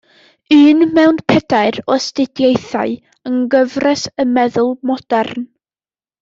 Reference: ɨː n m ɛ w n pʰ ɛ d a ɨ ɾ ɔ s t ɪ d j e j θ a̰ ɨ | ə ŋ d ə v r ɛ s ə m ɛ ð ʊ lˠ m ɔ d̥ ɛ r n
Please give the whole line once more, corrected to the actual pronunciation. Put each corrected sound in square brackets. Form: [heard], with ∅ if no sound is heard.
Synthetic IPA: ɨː n m ɛ w n pʰ ɛ d a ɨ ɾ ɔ s t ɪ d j e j θ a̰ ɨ | ə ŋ [ɡ] ə v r ɛ s ə m ɛ ð ʊ lˠ m ɔ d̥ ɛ r n